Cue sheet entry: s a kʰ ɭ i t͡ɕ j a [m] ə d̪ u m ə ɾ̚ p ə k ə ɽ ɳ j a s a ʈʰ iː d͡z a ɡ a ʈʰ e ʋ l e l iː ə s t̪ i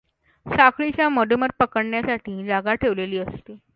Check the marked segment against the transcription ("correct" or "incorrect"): correct